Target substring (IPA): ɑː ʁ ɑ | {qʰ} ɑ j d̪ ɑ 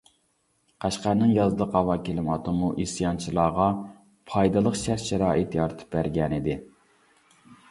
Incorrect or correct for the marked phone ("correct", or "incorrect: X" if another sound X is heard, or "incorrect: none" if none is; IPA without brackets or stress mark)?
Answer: incorrect: pʰ